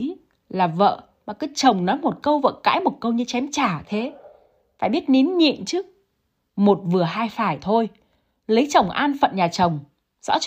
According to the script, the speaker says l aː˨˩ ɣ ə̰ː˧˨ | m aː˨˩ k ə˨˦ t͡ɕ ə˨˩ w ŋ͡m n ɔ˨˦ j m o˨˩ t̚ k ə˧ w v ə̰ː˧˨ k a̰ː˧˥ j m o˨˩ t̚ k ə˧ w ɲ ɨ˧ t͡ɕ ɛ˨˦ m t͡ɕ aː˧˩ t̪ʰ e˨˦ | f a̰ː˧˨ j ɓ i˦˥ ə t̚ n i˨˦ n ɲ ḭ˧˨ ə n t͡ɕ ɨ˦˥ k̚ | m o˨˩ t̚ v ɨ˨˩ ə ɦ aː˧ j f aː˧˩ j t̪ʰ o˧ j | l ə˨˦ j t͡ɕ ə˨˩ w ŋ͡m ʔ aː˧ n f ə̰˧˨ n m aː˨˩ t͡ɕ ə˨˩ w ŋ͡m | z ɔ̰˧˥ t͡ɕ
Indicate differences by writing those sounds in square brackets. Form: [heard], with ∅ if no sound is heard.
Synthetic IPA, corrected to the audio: l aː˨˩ [v] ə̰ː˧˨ | m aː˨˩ k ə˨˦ t͡ɕ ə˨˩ w ŋ͡m n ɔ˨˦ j m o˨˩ t̚ k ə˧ w v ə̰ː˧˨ k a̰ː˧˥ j m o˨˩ t̚ k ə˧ w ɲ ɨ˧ t͡ɕ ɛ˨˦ m t͡ɕ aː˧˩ t̪ʰ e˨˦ | f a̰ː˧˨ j ɓ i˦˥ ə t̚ n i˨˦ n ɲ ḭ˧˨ ə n t͡ɕ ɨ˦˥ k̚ | m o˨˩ t̚ v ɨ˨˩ ə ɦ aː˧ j f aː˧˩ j t̪ʰ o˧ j | l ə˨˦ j t͡ɕ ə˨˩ w ŋ͡m ʔ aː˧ n f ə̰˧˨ n [ɲ] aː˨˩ t͡ɕ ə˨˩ w ŋ͡m | z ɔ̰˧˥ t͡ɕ